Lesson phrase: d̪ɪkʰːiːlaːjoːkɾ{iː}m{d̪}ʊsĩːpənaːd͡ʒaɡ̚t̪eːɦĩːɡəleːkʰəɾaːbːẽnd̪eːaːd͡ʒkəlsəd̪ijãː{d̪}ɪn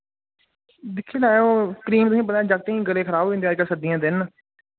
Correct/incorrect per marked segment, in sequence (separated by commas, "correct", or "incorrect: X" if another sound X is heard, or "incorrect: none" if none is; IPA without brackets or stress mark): correct, incorrect: t̪, correct